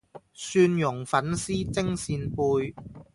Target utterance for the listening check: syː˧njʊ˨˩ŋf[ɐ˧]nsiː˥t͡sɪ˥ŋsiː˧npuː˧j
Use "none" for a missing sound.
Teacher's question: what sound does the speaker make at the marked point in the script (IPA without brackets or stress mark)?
ɐ˨˥